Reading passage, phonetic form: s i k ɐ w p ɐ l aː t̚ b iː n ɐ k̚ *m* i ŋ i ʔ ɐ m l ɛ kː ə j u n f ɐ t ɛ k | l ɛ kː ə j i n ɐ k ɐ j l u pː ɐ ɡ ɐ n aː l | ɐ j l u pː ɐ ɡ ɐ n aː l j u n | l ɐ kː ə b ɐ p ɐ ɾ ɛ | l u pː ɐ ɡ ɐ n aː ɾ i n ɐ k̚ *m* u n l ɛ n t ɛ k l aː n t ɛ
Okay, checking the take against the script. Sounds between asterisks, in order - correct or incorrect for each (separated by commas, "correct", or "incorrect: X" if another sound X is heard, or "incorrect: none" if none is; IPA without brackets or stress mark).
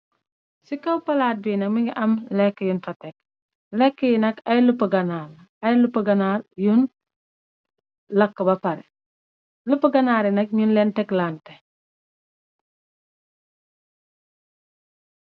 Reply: correct, incorrect: ɲ